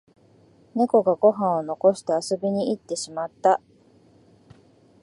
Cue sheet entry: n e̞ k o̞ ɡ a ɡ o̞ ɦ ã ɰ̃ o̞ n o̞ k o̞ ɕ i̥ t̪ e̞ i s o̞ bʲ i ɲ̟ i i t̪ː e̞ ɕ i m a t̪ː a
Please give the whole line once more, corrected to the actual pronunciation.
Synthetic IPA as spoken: n e̞ k o̞ ɡ a ɡ o̞ ɦ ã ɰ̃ o̞ n o̞ k o̞ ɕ i̥ t̪ e̞ a s o̞ bʲ i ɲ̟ i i t̪ː e̞ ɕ i m a t̪ː a

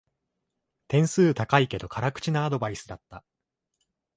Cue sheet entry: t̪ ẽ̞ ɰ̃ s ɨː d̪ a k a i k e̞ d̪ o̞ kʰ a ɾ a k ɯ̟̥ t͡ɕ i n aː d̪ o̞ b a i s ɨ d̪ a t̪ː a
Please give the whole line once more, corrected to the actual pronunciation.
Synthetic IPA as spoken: t̪ ẽ̞ ɰ̃ s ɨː t̪ a k a i k e̞ d̪ o̞ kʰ a ɾ a k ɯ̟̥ t͡ɕ i n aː d̪ o̞ b a i s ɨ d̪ a t̪ː a

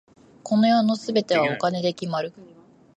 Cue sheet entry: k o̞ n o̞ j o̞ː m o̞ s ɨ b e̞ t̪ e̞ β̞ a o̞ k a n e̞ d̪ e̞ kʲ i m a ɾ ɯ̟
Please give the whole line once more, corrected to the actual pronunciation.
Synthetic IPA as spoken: k o̞ n o̞ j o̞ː n o̞ s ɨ b e̞ t̪ e̞ β̞ a o̞ k a n e̞ d̪ e̞ kʲ i m a ɾ ɯ̟

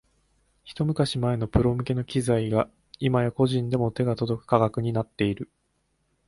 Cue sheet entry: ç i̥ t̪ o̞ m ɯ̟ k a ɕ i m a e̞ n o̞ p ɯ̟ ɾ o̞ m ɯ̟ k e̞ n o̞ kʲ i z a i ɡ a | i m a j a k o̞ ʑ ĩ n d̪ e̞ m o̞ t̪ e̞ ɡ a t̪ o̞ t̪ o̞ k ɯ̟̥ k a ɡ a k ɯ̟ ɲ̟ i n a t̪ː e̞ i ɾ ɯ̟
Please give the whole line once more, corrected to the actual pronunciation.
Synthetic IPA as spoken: ç i̥ t̪ o̞ m ɯ̟ k a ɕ i m a e̞ n o̞ p ɯ̟ ɾ o̞ m ɯ̟ k e̞ n o̞ kʲ i z a i ɡ a | i m a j a k o̞ ʑ ĩ n d̪ e̞ m o̞ t̪ e̞ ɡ a t̪ o̞ d̪ o̞ k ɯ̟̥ k a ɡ a k ɯ̟ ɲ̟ i n a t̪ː e̞ i ɾ ɯ̟

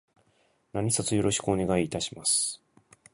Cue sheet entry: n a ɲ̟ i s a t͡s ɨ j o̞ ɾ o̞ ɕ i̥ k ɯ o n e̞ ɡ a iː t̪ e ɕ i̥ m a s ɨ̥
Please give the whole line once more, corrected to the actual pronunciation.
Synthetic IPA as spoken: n a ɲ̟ i s a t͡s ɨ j o̞ ɾ o̞ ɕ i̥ k ɯ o n e̞ ɡ a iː t̪ a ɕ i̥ m a s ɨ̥

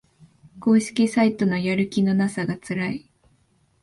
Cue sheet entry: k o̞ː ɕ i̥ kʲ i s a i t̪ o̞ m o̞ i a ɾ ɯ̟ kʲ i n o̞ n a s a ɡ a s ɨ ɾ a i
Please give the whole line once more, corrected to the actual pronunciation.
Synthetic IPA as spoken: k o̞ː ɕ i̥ kʲ i s a i t̪ o̞ n o̞ j a ɾ ɯ̟ kʲ i n o̞ n a s a ɡ a t͡s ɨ ɾ a i

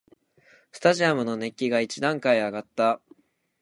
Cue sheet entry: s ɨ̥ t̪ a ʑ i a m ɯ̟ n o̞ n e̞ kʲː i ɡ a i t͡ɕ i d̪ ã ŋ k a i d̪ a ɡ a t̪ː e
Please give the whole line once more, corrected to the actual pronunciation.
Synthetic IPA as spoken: s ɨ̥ t̪ a ʑ i a m ɯ̟ n o̞ n e̞ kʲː i ɡ a i t͡ɕ i d̪ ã ŋ k a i a ɡ a t̪ː a

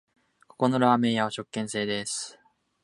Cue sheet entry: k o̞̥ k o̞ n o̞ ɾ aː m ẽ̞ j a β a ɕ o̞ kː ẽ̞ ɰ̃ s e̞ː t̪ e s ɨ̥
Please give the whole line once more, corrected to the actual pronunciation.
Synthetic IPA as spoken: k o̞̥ k o̞ n o̞ ɾ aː m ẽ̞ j a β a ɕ o̞ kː ẽ̞ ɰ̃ s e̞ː d̪ e s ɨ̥

